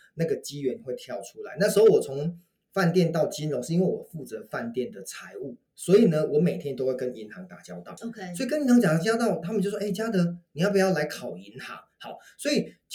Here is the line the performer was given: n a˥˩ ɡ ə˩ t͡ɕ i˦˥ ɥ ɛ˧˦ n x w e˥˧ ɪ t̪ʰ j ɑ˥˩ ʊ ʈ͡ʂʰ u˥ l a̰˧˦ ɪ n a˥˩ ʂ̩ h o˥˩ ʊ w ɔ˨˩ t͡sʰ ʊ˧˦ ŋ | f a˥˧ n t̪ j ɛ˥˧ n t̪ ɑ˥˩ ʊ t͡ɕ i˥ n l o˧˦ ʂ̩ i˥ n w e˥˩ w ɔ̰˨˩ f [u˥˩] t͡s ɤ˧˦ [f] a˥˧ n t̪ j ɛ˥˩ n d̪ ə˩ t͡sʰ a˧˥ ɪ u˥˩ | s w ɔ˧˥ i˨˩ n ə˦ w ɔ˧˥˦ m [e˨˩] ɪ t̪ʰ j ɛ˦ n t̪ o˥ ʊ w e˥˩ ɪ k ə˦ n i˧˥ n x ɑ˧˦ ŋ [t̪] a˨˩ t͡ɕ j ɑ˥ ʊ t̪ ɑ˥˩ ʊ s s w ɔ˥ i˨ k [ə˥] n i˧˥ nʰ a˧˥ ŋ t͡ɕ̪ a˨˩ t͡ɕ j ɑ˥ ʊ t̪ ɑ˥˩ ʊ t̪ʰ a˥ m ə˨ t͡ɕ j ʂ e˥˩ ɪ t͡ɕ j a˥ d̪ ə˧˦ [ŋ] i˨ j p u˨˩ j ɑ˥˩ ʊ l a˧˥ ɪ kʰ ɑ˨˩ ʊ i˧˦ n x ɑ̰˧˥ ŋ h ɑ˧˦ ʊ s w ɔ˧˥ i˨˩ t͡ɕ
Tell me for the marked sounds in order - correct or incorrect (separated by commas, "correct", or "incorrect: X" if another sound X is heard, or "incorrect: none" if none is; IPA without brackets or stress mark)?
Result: correct, correct, correct, correct, correct, incorrect: n